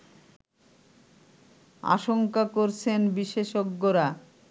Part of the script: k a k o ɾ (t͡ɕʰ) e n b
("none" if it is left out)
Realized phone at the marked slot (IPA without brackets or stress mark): t͡ɕʰ